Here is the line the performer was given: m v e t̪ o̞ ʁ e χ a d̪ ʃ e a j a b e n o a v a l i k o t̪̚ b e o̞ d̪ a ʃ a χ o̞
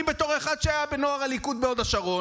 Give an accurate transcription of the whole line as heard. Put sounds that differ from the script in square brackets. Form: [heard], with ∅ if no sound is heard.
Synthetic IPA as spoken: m [b] e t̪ o̞ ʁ e χ a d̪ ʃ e a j a b e n o a [ʁ] a l i k [u] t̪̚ b e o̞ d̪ a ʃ a [ʁ] o̞